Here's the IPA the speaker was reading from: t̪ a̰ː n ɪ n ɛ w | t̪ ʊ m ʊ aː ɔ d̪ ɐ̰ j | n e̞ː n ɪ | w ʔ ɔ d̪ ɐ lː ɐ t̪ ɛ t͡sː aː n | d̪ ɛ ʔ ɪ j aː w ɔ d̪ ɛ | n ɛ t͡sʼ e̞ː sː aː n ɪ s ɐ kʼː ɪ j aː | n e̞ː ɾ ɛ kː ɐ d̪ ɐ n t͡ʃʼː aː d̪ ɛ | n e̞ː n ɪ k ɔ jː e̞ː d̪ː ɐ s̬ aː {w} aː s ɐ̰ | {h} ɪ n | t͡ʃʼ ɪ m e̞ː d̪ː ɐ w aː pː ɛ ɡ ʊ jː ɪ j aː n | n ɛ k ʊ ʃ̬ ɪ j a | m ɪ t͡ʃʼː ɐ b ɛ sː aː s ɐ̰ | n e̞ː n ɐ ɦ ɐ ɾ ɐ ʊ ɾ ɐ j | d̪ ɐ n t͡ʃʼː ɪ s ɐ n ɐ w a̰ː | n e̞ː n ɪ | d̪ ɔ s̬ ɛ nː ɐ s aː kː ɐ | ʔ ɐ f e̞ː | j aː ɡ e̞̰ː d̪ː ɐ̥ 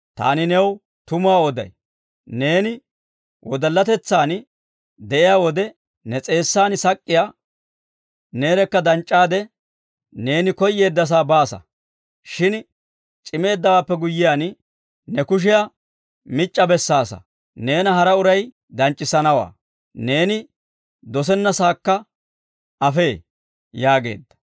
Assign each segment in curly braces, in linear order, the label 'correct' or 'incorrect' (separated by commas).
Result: incorrect, incorrect